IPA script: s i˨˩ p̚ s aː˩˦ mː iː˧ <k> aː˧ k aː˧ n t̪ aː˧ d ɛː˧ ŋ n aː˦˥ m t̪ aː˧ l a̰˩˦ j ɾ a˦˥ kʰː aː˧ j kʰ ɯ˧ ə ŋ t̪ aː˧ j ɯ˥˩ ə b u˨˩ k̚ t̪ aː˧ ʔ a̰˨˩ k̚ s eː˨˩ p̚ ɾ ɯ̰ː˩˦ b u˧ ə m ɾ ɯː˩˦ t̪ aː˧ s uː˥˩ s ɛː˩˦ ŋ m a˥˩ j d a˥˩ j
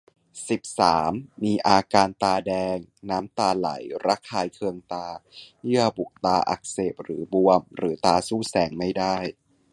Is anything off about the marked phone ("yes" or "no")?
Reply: yes